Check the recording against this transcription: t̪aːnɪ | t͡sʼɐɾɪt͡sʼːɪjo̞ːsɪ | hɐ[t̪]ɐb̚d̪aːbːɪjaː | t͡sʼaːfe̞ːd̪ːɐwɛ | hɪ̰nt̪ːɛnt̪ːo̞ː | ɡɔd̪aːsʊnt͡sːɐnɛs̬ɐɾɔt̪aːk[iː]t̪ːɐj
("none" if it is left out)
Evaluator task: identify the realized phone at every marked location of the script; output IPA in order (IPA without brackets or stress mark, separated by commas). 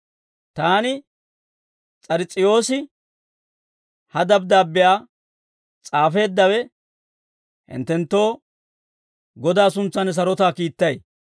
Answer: d̪, iː